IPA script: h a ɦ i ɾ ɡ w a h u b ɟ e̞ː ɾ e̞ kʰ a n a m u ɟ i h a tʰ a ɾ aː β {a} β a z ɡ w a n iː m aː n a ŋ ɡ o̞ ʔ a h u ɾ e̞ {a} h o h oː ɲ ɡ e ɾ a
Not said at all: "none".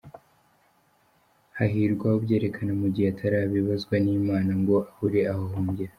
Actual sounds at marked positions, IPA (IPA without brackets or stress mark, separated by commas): i, a